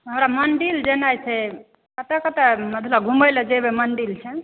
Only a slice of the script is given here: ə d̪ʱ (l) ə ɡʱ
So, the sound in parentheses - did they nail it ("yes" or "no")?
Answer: yes